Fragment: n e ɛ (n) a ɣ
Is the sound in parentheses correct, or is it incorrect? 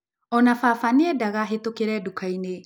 incorrect